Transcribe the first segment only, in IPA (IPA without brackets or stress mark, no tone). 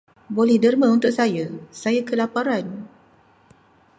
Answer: b